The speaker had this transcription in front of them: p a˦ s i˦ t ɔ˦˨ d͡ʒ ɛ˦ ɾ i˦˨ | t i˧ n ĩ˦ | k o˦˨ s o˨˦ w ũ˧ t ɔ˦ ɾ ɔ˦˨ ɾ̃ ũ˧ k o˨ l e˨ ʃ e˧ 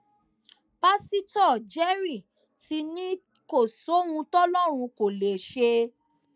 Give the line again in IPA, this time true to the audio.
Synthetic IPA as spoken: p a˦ s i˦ t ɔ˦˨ d͡ʒ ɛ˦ ɾ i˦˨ | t i˧ n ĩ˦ | k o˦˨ s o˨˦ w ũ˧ t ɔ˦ l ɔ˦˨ ɾ̃ ũ˧ k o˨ l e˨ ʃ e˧